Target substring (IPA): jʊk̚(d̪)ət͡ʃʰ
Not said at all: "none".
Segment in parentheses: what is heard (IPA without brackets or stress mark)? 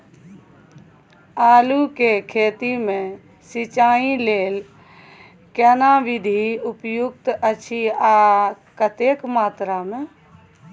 t̪